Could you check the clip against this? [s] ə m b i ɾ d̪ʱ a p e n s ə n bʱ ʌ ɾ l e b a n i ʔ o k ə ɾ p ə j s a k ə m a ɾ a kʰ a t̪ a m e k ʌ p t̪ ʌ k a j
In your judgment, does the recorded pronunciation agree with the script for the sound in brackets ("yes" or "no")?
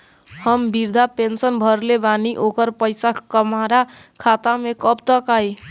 no